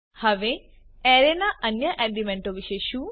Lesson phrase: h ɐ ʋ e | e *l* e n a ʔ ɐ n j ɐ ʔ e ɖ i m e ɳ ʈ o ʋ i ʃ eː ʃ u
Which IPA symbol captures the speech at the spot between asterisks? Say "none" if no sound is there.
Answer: ɾ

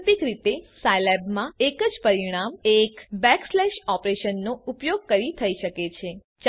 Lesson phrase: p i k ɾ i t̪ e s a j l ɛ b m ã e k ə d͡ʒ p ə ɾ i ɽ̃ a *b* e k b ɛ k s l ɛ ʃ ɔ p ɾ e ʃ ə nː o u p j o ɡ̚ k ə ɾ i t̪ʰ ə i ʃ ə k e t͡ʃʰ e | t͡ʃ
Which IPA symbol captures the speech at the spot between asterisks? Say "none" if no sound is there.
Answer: m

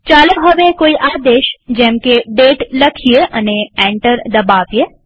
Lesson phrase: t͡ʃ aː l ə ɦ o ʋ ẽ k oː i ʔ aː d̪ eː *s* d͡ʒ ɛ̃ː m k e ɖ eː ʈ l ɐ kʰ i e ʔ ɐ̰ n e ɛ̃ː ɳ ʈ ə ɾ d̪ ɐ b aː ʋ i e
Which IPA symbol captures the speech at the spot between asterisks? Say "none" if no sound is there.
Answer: ʃ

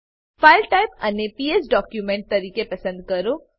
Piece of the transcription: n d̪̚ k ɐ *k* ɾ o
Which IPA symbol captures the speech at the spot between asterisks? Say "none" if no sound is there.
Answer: none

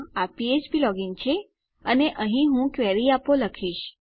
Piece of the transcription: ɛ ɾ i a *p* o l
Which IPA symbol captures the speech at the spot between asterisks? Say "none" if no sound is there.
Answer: p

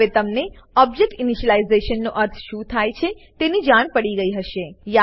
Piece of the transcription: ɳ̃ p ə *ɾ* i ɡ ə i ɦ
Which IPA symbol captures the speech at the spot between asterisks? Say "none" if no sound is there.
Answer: ɽ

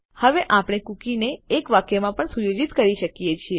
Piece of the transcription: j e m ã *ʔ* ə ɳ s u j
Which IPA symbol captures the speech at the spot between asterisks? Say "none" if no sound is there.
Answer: p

